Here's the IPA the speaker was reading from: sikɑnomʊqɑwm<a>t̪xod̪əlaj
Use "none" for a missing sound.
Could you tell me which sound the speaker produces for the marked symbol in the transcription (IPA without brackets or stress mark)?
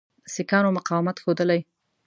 a